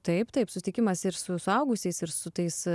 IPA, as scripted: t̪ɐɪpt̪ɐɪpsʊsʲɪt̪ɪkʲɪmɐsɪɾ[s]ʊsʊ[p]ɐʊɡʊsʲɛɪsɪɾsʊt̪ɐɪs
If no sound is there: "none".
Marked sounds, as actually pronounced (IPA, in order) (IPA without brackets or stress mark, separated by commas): s, none